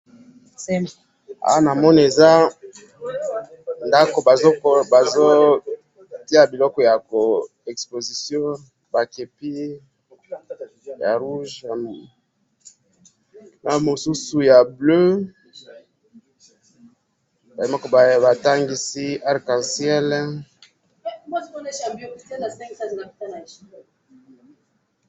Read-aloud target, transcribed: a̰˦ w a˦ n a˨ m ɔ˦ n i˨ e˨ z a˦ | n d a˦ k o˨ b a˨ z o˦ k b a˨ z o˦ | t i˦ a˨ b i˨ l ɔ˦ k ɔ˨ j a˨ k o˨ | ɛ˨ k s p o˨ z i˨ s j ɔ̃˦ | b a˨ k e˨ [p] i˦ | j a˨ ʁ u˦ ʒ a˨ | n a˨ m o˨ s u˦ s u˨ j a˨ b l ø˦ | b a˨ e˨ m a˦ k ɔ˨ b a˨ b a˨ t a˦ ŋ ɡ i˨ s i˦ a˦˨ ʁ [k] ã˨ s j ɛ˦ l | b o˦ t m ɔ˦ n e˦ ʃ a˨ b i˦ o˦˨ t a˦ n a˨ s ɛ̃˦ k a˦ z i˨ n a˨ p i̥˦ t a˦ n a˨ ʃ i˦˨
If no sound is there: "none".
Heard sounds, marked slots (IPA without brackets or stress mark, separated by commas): p, k